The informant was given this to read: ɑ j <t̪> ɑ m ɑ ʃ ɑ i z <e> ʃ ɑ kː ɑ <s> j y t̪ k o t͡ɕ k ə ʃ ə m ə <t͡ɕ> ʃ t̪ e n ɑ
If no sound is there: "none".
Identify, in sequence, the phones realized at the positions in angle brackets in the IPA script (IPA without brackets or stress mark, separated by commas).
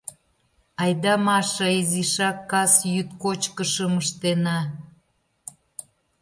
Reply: d̪, i, s, none